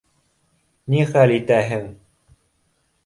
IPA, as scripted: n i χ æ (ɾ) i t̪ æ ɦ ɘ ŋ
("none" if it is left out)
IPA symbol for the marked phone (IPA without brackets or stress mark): l